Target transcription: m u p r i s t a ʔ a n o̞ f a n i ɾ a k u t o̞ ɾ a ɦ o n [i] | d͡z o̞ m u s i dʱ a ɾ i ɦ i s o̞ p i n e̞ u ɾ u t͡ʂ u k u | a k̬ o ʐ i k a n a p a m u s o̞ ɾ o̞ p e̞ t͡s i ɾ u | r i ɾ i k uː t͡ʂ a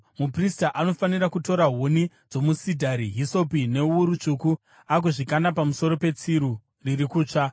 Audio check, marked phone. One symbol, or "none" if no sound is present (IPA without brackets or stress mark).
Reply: i